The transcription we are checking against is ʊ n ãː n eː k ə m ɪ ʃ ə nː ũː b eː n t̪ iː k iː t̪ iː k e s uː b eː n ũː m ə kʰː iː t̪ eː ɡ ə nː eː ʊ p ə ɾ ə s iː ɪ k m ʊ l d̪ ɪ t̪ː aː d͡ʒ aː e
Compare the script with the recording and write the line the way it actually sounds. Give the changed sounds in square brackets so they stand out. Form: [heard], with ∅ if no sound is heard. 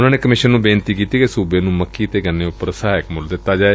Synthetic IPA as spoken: ʊ n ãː n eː k ə m ɪ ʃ ə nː ũː b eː n t̪ iː k iː t̪ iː k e s uː b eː n ũː m ə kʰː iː t̪ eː ɡ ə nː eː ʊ p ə ɾ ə s [aː] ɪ k m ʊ l d̪ ɪ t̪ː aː d͡ʒ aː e